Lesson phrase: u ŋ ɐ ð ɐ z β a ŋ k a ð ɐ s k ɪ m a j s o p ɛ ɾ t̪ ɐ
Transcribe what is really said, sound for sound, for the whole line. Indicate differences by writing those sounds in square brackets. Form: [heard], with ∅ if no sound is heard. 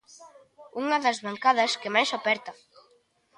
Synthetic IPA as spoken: u ŋ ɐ ð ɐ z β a ŋ k a ð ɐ s k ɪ m a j s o p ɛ ɾ t̪ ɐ